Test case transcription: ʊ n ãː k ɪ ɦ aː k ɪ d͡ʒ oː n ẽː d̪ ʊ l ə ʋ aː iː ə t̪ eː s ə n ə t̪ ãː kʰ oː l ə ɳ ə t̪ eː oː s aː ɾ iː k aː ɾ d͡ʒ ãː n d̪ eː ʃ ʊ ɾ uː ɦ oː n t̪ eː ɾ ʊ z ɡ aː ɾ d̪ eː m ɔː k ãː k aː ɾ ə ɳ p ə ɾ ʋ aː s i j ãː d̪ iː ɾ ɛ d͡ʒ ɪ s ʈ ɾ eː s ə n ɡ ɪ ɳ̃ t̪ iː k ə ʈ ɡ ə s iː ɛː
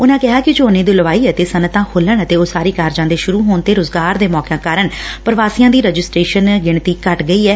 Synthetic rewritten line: ʊ n ãː k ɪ ɦ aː k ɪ d͡ʒ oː n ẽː d̪ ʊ l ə ʋ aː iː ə t̪ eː s ə n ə t̪ ãː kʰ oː l ə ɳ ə t̪ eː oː s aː ɾ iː k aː ɾ d͡ʒ ãː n d̪ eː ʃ ʊ ɾ uː ɦ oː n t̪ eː ɾ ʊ z ɡ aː ɾ d̪ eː m ɔː k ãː k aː ɾ ə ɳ p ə ɾ ʋ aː s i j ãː d̪ iː ɾ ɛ d͡ʒ ɪ s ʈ ɾ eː ʃ ə n ɡ ɪ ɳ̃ t̪ iː k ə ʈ ɡ ə iː ɛː